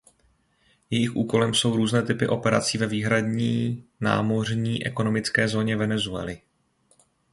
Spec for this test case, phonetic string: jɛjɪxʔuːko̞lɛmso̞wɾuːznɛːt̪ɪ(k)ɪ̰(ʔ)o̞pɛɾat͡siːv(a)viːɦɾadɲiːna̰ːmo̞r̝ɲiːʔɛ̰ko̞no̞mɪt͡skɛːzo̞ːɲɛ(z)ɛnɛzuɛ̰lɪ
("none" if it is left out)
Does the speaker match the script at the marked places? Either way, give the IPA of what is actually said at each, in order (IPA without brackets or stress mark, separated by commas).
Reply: p, ʔ, ɛ, v